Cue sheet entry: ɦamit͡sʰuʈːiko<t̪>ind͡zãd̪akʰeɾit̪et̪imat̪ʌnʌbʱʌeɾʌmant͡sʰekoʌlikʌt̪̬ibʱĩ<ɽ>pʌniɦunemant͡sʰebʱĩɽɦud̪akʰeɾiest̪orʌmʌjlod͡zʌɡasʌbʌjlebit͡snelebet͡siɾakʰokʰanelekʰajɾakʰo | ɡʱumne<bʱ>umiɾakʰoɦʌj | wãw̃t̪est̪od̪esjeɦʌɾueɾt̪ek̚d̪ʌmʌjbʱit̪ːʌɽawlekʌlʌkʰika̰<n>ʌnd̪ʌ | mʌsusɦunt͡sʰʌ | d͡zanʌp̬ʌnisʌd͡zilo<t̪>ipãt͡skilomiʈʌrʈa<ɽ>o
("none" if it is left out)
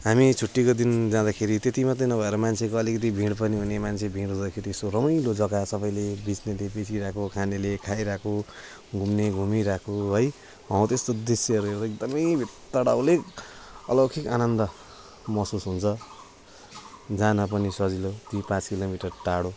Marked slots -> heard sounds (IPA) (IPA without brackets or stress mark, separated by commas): d̪, ɽ, ɡʱ, n, t̪, ɽ